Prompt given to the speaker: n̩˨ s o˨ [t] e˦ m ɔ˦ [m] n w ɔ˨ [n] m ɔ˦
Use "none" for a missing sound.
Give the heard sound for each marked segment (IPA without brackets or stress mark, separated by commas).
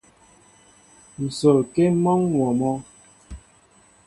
k, ŋ, none